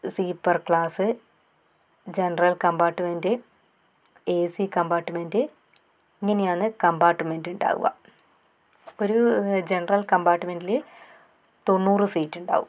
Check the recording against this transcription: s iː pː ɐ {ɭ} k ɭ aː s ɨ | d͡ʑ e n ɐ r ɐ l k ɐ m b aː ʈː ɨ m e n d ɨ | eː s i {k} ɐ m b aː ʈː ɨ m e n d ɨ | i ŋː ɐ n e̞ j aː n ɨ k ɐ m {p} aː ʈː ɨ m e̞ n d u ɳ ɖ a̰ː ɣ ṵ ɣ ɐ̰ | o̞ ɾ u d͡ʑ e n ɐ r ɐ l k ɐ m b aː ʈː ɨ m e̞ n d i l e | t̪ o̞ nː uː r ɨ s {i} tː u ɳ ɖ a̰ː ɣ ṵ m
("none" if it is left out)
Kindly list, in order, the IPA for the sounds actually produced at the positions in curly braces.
r, k, b, iː

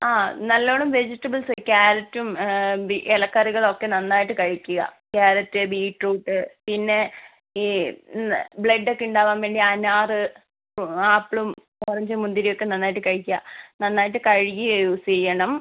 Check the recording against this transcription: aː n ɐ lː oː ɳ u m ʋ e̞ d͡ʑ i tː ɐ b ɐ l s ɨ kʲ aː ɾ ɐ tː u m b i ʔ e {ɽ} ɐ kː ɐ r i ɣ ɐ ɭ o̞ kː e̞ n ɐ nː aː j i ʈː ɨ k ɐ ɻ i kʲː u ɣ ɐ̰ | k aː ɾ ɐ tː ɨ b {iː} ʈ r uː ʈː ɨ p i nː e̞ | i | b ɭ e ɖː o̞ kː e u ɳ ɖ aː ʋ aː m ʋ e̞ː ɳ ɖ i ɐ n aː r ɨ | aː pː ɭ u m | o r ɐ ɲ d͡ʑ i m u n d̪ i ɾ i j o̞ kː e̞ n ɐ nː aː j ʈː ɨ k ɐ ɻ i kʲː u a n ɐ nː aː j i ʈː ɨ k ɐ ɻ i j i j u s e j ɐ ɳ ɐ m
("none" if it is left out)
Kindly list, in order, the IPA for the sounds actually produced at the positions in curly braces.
l, iː

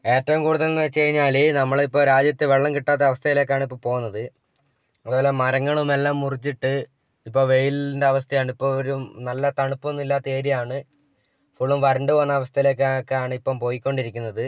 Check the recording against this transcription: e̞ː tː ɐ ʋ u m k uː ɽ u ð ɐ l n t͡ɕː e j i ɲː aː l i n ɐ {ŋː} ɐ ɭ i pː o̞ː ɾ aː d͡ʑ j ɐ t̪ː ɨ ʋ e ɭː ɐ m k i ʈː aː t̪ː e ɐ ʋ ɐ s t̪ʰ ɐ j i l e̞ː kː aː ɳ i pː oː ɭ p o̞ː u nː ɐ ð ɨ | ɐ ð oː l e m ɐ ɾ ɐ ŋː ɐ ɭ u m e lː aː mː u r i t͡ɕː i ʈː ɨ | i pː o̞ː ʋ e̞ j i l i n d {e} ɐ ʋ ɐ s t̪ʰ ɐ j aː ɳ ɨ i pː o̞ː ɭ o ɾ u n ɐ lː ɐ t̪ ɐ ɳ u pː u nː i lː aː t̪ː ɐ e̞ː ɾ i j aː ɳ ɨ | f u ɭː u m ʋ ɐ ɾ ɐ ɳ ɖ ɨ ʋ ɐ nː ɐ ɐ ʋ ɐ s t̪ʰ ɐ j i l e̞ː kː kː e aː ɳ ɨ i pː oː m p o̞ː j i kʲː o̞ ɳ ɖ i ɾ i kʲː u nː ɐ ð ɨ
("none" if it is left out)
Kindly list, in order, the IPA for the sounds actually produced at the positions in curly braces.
mː, e

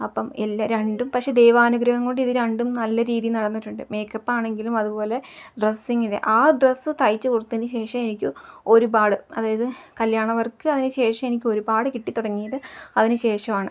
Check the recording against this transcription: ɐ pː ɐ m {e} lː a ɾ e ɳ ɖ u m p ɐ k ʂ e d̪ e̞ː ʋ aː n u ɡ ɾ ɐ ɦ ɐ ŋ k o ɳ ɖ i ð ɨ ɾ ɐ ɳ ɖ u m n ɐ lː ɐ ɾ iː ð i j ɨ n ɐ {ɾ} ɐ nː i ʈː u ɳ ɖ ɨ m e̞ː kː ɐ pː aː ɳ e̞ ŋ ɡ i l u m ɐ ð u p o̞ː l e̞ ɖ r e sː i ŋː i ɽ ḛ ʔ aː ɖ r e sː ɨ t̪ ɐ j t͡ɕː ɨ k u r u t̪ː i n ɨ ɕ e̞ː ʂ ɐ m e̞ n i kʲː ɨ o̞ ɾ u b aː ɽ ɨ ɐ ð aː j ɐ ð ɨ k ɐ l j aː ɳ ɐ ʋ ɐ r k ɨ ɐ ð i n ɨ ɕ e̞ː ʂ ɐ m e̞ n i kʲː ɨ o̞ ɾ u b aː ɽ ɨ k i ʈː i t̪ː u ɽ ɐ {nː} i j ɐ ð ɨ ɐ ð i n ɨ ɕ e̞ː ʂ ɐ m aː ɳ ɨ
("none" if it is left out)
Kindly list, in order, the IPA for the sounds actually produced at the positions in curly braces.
e, ɽ, ŋː

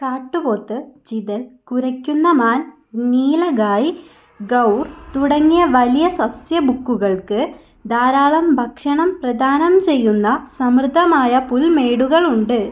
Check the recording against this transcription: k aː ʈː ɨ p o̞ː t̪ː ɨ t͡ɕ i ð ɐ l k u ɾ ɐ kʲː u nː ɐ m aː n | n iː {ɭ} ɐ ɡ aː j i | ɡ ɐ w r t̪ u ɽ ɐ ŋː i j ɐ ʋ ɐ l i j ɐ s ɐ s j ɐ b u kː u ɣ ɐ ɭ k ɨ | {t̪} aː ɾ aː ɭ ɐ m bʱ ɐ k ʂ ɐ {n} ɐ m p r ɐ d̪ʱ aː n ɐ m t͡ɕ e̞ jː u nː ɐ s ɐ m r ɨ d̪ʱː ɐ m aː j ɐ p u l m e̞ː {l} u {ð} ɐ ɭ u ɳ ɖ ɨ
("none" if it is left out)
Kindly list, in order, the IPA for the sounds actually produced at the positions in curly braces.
l, d̪, ɳ, ɽ, ɣ

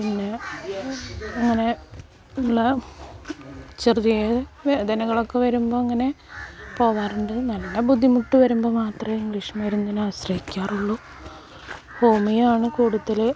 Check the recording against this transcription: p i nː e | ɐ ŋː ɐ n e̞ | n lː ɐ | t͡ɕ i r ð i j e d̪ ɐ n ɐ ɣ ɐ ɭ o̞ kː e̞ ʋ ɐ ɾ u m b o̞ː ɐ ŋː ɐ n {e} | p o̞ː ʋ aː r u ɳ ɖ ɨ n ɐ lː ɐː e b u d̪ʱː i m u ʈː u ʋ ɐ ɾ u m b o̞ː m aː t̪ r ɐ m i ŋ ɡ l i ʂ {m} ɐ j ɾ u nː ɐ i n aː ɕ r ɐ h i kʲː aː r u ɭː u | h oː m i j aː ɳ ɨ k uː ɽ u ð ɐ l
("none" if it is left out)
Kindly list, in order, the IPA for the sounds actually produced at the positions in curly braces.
e, m

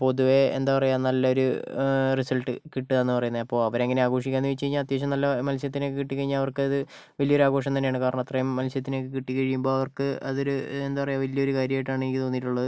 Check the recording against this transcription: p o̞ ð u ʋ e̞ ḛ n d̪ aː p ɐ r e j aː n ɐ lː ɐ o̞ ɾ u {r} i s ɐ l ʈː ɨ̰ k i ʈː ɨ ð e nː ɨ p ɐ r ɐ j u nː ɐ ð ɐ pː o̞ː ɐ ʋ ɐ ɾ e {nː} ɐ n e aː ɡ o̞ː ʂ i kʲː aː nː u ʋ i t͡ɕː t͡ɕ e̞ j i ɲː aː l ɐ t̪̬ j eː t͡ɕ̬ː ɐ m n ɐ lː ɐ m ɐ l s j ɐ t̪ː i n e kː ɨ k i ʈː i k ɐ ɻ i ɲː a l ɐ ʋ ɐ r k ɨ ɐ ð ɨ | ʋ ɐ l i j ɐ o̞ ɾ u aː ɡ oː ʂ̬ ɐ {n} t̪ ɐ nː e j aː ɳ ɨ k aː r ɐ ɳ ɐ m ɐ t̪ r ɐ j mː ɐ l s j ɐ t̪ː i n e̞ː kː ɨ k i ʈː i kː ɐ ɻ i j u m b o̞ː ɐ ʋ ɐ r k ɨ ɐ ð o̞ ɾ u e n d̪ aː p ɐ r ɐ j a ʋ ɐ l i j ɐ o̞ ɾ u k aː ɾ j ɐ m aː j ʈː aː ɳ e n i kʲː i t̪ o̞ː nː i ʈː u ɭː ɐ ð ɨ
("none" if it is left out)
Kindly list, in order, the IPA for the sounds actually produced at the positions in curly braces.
r, ŋː, m

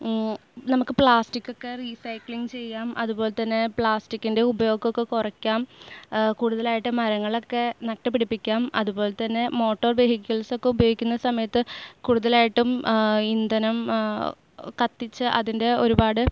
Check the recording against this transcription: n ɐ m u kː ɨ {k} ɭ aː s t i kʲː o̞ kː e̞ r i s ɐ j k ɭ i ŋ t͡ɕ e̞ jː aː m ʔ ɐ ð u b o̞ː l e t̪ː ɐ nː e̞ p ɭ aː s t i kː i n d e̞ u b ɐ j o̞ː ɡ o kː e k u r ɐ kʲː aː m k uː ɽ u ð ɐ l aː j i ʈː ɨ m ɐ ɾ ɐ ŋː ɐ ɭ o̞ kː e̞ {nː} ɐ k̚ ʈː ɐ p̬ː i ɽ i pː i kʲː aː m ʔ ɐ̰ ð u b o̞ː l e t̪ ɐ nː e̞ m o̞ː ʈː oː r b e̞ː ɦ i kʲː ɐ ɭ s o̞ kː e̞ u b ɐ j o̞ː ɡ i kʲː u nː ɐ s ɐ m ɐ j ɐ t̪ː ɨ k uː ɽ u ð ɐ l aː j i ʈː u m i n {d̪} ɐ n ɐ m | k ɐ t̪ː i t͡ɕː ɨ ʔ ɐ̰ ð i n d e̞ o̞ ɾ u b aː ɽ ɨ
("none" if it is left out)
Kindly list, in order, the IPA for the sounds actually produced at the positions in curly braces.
p, n, d̪

